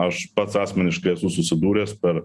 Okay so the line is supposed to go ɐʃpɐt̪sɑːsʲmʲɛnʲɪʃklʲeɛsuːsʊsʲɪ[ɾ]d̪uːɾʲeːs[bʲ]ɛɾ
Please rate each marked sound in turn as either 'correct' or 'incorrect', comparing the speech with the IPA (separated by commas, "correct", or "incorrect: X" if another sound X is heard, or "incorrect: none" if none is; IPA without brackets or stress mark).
incorrect: none, incorrect: pʲ